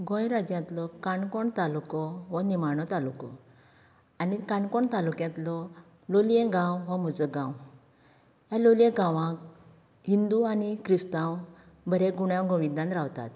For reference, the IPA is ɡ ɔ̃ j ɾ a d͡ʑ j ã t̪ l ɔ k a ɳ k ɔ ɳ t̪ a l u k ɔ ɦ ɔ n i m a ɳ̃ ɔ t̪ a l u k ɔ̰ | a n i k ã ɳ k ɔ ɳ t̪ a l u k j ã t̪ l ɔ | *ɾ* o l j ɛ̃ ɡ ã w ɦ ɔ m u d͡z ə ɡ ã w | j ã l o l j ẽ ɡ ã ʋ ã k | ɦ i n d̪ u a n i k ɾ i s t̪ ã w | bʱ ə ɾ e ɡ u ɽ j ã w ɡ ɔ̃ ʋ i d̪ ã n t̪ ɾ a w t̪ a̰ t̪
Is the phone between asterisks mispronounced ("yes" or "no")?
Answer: yes